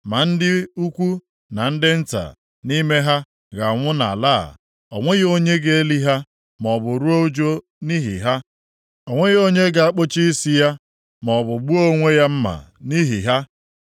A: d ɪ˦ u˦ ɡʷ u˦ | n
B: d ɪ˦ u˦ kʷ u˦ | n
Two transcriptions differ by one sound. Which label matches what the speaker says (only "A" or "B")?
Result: B